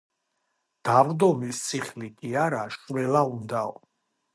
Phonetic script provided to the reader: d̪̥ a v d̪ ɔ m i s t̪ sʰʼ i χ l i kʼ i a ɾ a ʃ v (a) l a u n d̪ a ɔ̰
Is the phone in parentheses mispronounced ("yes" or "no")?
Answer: yes